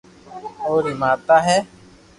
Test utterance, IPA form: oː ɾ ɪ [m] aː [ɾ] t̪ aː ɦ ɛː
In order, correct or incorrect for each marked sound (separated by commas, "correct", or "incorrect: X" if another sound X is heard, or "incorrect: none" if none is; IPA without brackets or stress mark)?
correct, incorrect: none